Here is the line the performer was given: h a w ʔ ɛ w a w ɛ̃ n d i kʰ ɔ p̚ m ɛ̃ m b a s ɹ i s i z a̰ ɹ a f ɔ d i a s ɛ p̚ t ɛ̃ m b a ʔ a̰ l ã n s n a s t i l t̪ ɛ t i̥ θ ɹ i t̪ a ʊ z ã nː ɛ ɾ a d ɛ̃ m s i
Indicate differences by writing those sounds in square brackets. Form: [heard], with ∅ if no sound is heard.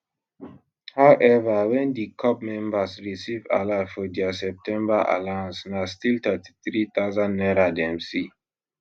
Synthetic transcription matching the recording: h a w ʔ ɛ [v] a w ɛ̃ n d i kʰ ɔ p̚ m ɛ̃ m b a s ɹ i s i [v] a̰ [l] a f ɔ d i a s ɛ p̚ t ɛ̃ m b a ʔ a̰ l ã n s n a s t i l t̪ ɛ t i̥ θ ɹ i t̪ a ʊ z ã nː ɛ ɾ a d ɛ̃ m s i